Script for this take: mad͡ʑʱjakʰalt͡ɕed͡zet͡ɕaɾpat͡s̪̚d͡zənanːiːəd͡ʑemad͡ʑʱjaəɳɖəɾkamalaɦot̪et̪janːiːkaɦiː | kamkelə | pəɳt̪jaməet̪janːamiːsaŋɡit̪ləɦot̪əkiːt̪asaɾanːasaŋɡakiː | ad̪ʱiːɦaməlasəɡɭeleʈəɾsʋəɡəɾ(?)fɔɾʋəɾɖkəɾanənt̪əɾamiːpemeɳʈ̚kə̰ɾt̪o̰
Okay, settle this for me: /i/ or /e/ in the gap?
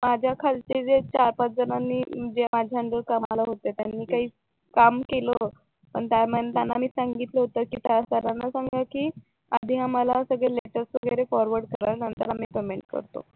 e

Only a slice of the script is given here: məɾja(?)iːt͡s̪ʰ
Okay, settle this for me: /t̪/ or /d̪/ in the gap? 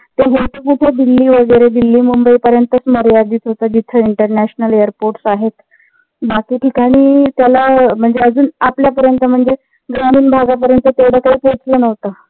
d̪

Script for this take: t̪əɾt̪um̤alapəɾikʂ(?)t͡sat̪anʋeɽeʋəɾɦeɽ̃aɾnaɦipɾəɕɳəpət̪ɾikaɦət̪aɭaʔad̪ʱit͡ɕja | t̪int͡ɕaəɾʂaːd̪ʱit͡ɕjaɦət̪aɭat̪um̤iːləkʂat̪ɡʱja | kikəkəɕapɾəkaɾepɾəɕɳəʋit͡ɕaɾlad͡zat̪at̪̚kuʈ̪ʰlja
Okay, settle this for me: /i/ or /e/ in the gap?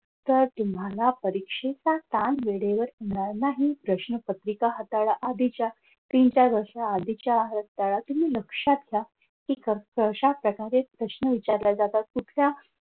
e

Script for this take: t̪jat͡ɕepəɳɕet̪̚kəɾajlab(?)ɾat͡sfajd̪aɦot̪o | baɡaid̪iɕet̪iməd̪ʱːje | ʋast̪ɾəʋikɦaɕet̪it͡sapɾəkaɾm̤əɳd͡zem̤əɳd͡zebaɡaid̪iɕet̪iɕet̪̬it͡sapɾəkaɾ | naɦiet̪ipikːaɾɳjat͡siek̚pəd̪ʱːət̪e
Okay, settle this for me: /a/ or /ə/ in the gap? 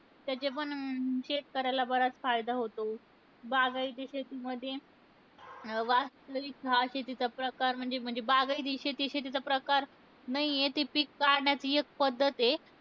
ə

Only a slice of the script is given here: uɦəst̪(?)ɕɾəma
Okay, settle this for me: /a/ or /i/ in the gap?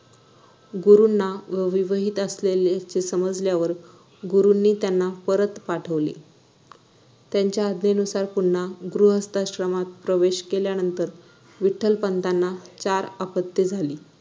a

